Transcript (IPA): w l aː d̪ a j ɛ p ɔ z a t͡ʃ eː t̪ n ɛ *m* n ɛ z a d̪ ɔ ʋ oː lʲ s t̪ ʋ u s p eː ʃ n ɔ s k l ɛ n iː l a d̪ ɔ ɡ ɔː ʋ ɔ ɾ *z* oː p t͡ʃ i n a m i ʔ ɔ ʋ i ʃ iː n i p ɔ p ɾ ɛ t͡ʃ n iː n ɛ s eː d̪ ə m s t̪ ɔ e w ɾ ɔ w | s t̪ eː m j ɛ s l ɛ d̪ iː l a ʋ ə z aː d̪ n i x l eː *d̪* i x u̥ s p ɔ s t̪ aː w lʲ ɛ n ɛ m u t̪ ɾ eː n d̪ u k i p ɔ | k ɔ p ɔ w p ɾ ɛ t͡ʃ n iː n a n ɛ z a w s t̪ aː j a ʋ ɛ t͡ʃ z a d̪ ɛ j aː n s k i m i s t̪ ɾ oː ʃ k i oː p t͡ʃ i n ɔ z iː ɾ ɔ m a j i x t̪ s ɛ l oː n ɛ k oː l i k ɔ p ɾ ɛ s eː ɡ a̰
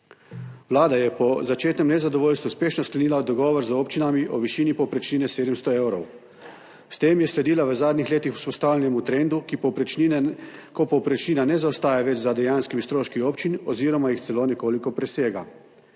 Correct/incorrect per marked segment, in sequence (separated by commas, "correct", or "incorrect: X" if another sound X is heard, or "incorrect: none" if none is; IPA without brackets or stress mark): correct, correct, incorrect: t̪